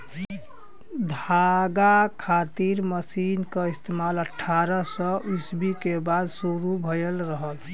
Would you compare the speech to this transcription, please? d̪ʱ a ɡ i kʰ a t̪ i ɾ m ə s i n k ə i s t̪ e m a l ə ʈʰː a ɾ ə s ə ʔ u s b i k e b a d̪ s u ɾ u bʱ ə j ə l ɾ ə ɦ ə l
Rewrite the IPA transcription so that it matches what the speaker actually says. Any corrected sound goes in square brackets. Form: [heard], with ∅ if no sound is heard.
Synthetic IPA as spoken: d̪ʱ a ɡ [a] kʰ a t̪ i ɾ m ə s i n k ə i s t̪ e m a l ə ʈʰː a ɾ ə s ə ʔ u s b i k e b a d̪ s u ɾ u bʱ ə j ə l ɾ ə ɦ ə l